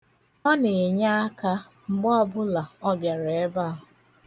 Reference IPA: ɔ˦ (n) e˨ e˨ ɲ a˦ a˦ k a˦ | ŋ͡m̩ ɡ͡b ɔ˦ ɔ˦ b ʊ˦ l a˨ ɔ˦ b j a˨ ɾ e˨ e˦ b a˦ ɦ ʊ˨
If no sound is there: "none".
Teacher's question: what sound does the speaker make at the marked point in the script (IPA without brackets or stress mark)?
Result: n